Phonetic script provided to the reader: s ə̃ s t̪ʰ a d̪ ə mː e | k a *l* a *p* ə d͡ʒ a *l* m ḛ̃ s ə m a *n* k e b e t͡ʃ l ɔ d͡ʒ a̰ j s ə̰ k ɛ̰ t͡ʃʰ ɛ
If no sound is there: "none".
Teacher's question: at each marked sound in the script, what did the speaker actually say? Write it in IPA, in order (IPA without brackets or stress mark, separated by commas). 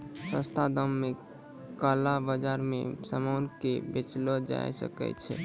l, b, ɾ, n